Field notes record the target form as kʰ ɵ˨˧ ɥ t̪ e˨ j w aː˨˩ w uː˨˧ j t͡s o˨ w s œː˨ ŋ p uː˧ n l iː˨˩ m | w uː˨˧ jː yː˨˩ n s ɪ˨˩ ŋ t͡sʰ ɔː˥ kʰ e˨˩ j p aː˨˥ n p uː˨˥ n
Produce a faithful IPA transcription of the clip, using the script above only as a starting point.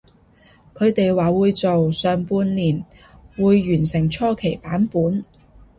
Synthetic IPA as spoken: kʰ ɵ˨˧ ɥ t̪ e˨ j w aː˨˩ w uː˨˧ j t͡s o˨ w s œː˨ ŋ p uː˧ n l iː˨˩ n | w uː˨˧ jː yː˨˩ n s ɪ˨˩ ŋ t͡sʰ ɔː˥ kʰ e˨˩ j p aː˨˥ n p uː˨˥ n